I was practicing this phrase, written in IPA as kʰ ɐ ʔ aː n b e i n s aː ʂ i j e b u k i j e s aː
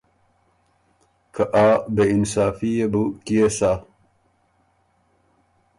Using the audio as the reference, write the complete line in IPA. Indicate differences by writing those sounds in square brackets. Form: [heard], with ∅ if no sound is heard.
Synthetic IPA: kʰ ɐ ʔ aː [∅] b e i n s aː [f] i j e b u k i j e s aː